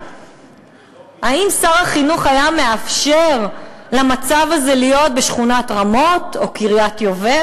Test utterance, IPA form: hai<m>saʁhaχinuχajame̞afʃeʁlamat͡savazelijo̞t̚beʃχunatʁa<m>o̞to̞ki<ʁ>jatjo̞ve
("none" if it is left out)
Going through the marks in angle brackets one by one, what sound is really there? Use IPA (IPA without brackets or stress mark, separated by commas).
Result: m, m, ʁ